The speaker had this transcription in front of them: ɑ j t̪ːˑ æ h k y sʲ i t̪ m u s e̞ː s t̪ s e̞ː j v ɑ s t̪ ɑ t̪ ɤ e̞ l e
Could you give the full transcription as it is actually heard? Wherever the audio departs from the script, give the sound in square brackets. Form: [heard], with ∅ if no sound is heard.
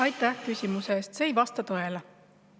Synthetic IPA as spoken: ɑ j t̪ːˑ æ h k y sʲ i [∅] m u s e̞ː s t̪ s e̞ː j v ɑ s t̪ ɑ t̪ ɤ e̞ l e